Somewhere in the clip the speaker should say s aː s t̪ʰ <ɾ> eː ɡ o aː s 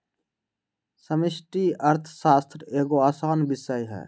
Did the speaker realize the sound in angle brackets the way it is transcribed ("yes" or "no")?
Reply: yes